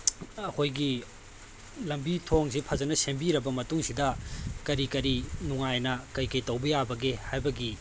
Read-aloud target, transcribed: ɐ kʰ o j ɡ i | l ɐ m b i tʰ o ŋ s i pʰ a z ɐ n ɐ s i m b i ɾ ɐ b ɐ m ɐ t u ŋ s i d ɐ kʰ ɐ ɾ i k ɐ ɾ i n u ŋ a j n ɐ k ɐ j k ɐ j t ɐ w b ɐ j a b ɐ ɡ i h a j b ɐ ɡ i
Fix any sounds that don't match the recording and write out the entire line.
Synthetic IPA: ɐ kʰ o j ɡ i | l ɐ m b i tʰ o ŋ s i pʰ ɐ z ɐ n ɐ s e m b i ɾ ɐ b ɐ m ɐ t u ŋ s i d ɐ k ɐ ɾ i k ɐ ɾ i n u ŋ a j n ɐ k ɐ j k ɐ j t ɐ w b ɐ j a b ɐ ɡ e h a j b ɐ ɡ i